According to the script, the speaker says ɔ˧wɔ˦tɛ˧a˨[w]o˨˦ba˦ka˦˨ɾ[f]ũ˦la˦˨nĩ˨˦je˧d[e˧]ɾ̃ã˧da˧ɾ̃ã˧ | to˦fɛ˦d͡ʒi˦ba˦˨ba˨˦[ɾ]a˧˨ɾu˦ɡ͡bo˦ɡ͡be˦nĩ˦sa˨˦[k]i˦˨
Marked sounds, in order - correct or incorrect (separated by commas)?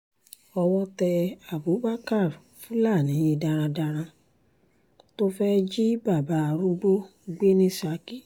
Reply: incorrect, correct, incorrect, incorrect, correct